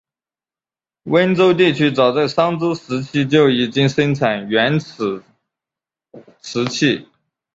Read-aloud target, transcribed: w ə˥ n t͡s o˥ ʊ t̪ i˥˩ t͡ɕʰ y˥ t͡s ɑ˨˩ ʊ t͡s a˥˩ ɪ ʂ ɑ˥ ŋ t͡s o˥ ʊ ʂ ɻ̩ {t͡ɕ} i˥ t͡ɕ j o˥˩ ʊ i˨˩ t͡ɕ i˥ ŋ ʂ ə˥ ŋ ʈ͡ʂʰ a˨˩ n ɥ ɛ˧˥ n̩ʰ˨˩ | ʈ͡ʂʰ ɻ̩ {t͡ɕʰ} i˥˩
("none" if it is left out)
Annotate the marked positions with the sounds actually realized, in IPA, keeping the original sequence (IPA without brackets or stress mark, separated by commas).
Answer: t͡ɕʰ, t͡ɕʰ